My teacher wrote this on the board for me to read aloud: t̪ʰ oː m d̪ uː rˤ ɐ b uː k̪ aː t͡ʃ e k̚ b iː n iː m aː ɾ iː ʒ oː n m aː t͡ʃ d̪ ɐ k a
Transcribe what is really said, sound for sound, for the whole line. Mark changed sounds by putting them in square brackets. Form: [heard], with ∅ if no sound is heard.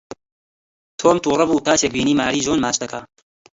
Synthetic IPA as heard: t̪ʰ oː m [t̪] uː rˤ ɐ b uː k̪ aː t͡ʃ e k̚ b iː n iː m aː ɾ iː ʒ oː n m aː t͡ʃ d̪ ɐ k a

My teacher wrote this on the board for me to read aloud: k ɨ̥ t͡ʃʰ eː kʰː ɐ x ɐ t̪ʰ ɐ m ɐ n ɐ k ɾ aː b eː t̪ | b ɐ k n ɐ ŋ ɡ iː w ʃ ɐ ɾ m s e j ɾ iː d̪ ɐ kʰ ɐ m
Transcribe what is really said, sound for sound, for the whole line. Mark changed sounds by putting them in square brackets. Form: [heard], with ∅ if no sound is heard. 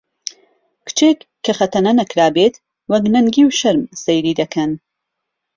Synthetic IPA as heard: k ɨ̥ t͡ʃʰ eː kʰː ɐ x ɐ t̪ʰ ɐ [n] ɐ n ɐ k ɾ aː b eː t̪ | [w] ɐ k n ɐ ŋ ɡ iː w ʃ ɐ ɾ m s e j ɾ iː d̪ ɐ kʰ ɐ [n]

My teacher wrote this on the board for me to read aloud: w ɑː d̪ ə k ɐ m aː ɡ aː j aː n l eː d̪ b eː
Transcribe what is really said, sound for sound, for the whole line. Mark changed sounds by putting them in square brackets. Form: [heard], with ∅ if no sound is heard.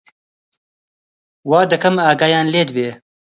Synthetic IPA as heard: w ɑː d̪ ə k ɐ m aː ɡ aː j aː n l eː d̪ b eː

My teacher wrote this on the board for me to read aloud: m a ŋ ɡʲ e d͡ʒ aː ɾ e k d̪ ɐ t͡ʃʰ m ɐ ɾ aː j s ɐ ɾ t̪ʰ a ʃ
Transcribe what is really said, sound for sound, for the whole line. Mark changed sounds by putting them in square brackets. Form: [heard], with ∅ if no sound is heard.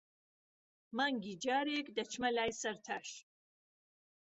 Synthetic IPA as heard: m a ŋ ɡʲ [i] d͡ʒ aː ɾ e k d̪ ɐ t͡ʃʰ m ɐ [l] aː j s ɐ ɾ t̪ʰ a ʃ

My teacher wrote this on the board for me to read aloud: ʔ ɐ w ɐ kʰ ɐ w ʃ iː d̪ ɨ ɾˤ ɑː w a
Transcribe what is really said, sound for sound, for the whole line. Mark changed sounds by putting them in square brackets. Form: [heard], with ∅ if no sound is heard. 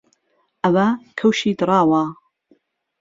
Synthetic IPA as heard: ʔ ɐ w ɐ kʰ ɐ w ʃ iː d̪ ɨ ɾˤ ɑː w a

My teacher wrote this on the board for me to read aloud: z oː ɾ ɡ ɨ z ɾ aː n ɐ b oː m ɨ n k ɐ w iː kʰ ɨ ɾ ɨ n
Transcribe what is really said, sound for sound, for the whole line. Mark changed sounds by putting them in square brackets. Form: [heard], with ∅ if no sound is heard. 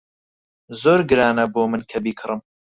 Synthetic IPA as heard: z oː ɾ ɡ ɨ [∅] ɾ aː n ɐ b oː m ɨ n [kʰ] ɐ [b] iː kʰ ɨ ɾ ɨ [m]

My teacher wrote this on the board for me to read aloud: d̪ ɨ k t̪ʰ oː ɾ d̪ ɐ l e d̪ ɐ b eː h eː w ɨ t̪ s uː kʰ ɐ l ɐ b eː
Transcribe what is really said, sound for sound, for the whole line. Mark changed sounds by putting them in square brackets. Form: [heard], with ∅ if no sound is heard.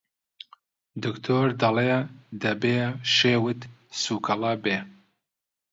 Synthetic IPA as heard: d̪ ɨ k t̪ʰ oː ɾ d̪ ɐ l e d̪ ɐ b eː [ʃ] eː w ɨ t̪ s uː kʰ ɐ l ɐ b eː

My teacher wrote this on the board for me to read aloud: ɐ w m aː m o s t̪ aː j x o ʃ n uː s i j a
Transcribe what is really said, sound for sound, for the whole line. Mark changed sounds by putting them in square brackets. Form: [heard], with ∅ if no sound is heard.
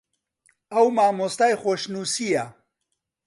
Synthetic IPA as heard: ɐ w m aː m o s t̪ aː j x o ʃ n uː s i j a

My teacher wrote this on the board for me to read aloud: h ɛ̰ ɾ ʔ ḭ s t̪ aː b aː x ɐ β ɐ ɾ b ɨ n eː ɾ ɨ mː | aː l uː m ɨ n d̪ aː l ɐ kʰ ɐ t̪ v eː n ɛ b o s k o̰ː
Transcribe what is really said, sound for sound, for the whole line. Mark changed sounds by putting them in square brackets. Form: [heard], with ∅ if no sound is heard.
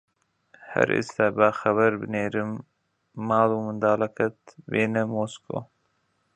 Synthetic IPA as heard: h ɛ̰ ɾ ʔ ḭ s t̪ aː b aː x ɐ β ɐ ɾ b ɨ n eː ɾ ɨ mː | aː l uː m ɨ n d̪ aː l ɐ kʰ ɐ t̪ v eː n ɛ [m] o s k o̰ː

